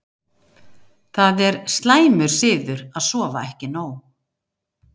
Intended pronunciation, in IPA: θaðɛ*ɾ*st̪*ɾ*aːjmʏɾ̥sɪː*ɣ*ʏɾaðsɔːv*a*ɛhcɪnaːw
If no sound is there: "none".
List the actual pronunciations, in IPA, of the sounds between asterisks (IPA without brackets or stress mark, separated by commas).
ɾ, l, ð, a